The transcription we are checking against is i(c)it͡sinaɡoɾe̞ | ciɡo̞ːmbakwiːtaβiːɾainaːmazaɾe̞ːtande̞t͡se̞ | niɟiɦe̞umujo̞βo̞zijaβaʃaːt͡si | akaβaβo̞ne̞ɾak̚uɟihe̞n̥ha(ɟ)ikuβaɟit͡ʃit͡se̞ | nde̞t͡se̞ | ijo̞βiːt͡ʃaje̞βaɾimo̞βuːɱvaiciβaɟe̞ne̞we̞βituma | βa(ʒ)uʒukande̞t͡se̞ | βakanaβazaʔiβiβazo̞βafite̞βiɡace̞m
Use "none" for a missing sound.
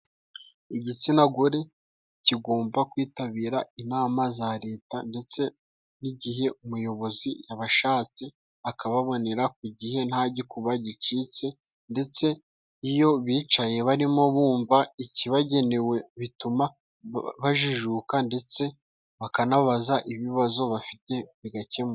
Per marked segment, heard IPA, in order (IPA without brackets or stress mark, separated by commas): ɟ, ɟ, ʒ